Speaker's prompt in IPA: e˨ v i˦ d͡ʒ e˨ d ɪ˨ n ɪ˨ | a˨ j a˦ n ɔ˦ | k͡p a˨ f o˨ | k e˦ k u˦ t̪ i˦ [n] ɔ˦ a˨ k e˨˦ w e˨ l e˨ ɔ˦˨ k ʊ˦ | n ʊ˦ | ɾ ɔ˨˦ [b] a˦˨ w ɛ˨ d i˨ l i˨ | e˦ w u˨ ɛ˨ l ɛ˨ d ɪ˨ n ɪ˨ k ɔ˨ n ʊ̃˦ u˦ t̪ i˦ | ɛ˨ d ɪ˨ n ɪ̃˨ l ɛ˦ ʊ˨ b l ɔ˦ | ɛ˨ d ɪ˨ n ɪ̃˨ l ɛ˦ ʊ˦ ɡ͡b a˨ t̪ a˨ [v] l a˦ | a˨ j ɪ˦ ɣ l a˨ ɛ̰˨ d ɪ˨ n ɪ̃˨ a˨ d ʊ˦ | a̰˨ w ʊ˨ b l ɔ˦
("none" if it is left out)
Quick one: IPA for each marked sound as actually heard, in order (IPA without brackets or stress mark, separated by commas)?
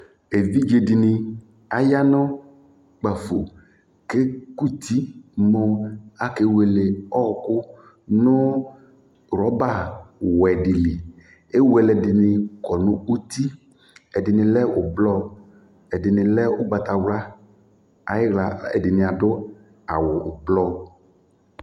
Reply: m, b, w